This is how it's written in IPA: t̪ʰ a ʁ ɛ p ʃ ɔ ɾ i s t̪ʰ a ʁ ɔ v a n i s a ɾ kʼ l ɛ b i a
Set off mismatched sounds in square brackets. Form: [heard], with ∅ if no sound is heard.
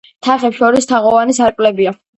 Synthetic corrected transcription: t̪ʰ a [χ] ɛ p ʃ ɔ ɾ i s t̪ʰ a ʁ ɔ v a n i s a ɾ kʼ l ɛ b i a